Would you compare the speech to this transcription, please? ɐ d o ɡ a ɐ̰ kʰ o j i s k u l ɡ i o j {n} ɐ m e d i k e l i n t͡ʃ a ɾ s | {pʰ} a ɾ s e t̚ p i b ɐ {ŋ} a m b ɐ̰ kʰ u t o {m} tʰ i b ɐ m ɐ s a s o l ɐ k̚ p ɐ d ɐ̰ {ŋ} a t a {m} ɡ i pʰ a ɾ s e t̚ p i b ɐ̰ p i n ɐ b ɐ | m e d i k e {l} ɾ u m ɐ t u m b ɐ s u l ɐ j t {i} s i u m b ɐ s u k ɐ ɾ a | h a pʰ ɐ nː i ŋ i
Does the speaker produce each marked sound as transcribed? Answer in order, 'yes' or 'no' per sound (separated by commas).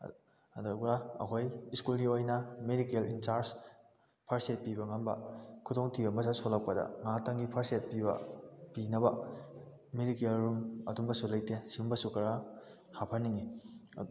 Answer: yes, yes, yes, no, yes, no, yes, no